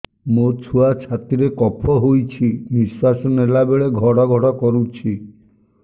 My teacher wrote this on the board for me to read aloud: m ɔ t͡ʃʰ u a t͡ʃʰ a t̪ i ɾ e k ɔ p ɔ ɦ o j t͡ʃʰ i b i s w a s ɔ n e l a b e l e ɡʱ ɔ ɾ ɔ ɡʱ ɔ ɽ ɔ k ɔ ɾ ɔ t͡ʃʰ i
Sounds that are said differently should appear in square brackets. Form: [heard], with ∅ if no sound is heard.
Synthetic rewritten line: m [o] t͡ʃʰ u a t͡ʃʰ a t̪ i ɾ e k ɔ [pʰ] ɔ ɦ o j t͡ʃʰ i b i s w a s ɔ n e l a b e [ɭ] e ɡʱ ɔ [ɽ] ɔ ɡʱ ɔ ɽ ɔ k ɔ ɾ [u] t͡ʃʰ i